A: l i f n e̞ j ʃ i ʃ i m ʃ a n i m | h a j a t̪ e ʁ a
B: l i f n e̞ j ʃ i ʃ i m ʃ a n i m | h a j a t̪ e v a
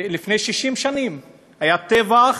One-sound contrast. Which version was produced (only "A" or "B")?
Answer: B